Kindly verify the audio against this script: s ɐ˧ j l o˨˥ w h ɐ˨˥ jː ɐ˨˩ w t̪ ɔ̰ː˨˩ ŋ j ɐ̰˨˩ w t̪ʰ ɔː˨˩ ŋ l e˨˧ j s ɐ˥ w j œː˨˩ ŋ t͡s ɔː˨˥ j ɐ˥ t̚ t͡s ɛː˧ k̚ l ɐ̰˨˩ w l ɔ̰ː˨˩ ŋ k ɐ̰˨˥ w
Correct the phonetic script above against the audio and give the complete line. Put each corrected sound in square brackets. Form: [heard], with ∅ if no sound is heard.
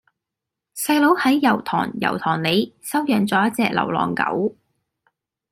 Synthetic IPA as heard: s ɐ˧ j l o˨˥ w h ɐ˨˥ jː ɐ˨˩ w [t̪ʰ] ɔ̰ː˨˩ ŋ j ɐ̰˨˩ w t̪ʰ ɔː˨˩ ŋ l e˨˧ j s ɐ˥ w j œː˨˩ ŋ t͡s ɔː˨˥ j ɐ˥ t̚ t͡s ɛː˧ k̚ l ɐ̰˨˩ w l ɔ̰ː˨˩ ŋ k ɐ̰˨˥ w